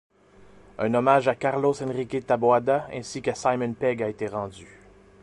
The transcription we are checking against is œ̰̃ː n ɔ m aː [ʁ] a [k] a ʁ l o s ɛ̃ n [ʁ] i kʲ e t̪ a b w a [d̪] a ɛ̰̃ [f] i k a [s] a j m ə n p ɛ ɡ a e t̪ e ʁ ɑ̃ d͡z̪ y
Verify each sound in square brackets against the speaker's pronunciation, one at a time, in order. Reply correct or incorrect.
incorrect, correct, correct, correct, incorrect, correct

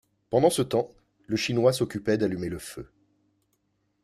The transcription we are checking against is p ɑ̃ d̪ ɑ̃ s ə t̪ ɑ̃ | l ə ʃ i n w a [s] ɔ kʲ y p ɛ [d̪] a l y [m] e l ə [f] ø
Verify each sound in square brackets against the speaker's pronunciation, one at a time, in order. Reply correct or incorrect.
correct, correct, correct, correct

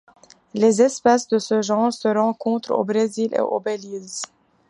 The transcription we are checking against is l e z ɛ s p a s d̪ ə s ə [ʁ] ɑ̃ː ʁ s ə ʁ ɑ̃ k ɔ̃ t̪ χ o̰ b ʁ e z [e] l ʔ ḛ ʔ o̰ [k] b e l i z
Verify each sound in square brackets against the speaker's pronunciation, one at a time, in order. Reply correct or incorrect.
incorrect, incorrect, incorrect

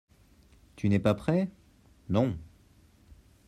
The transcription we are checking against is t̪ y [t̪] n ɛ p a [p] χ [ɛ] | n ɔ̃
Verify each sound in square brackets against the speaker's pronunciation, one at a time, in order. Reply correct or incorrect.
incorrect, correct, correct

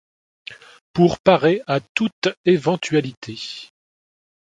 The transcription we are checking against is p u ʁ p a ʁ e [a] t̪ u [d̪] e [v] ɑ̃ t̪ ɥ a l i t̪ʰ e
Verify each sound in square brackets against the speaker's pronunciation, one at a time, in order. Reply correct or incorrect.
correct, incorrect, correct

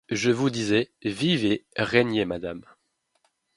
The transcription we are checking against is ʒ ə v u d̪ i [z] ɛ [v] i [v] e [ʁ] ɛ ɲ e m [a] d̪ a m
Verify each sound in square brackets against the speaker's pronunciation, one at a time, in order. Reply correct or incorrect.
correct, correct, correct, correct, correct

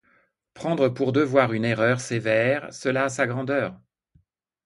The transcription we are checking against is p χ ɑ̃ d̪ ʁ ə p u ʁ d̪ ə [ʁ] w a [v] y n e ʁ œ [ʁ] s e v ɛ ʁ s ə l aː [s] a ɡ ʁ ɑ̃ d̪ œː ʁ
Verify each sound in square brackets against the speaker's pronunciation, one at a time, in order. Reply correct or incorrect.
incorrect, incorrect, correct, correct

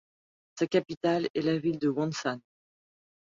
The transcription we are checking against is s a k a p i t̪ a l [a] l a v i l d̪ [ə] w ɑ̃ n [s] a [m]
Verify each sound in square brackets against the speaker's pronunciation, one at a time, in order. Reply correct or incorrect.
incorrect, correct, correct, incorrect

